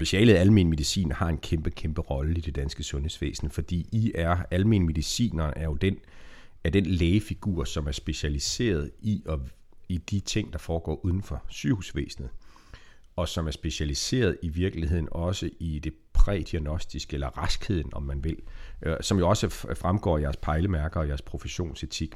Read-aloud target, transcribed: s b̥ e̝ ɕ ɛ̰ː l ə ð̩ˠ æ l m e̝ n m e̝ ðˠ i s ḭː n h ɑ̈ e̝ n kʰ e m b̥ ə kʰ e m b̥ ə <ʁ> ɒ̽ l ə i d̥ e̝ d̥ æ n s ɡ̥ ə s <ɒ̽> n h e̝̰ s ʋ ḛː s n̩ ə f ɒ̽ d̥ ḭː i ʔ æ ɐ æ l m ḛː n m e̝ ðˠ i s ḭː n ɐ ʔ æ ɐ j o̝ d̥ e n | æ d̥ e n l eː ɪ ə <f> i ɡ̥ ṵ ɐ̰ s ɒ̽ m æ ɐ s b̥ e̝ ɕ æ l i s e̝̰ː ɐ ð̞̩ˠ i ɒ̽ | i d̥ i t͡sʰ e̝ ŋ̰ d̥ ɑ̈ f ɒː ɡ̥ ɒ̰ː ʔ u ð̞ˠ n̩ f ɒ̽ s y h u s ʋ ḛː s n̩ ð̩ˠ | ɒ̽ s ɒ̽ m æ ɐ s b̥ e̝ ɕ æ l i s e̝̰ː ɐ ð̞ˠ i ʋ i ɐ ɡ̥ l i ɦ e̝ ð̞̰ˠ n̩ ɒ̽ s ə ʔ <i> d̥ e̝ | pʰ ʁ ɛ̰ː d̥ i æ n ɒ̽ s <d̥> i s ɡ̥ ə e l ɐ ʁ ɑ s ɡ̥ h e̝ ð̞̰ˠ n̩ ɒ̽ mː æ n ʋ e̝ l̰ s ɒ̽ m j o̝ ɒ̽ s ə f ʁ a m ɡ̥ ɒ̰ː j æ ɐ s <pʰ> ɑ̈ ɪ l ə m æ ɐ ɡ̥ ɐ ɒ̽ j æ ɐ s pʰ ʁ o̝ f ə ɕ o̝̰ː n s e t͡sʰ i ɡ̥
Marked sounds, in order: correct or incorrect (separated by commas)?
correct, incorrect, correct, correct, correct, correct